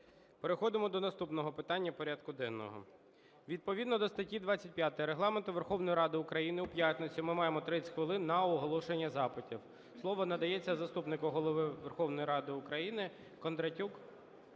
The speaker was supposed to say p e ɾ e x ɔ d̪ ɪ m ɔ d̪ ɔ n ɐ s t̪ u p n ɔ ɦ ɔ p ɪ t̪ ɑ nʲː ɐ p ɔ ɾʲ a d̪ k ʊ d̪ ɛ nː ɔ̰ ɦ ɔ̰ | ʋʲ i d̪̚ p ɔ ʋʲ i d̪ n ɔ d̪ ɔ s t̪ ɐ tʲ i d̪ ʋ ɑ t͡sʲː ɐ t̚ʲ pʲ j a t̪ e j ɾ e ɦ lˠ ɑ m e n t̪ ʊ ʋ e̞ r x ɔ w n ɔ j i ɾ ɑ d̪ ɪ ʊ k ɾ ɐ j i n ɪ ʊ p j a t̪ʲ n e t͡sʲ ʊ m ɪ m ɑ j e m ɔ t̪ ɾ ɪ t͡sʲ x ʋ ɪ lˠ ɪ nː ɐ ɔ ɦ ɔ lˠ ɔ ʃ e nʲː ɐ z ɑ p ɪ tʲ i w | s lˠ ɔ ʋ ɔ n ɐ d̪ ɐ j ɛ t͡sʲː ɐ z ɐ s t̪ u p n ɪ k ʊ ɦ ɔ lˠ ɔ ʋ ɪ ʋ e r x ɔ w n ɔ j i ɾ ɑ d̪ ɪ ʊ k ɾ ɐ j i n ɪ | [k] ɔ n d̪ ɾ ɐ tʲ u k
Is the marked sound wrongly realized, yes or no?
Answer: no